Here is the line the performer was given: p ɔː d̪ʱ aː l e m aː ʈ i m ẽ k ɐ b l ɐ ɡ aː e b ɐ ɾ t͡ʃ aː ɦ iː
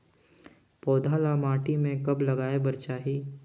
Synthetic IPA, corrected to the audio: p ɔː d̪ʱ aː l a m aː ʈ i m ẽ k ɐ b l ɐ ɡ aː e b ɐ ɾ t͡ʃ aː ɦ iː